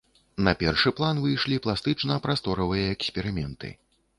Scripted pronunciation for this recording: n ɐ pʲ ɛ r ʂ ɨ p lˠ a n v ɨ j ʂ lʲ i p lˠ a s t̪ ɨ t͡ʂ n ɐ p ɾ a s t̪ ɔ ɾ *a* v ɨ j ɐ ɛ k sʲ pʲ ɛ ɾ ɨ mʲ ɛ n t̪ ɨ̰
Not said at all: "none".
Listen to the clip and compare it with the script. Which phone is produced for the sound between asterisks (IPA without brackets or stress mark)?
ɐ